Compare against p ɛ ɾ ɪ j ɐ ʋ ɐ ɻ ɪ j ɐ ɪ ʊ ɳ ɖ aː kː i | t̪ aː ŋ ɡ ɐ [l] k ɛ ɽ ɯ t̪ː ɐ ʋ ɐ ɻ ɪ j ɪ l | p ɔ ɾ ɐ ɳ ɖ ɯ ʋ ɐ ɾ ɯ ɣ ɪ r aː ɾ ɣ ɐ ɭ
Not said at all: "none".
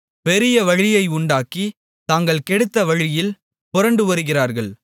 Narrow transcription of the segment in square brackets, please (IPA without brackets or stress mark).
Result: ɭ